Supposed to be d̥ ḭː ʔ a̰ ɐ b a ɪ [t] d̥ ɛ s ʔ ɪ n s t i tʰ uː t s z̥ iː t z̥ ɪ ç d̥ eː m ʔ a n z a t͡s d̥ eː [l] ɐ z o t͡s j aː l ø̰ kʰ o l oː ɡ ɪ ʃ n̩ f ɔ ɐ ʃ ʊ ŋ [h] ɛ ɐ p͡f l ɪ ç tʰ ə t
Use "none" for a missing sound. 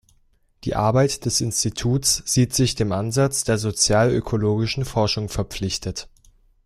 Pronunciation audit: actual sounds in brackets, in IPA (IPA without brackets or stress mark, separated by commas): t, none, f